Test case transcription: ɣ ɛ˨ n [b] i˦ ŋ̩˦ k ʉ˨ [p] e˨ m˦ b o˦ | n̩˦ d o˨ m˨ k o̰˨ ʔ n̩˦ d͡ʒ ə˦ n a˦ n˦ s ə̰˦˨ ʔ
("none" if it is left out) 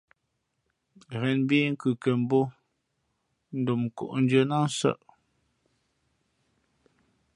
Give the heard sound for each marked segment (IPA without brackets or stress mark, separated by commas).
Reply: b, k